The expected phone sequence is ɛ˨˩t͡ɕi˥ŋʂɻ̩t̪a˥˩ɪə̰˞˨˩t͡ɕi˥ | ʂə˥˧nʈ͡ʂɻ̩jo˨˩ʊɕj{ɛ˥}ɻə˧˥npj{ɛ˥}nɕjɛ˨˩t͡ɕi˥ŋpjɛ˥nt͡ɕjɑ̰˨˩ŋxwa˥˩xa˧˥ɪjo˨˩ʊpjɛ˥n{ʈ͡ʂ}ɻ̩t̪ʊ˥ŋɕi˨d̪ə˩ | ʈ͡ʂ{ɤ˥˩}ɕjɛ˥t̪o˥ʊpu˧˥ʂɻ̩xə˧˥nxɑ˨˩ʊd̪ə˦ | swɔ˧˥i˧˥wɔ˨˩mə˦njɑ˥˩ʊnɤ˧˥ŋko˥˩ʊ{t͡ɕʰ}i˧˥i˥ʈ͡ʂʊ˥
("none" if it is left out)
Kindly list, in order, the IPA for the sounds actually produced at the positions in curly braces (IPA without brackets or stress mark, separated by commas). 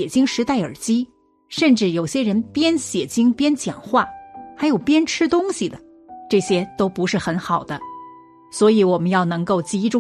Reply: ɛ˥, ɛ˥, ʈ͡ʂʰ, ɤ˥˩, t͡ɕ